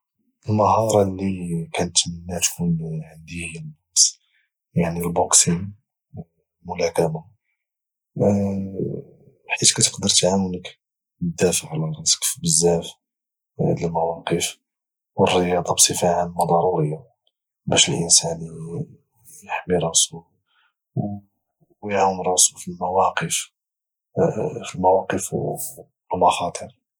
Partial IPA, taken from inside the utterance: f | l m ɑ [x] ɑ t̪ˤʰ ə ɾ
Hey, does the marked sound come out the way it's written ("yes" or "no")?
yes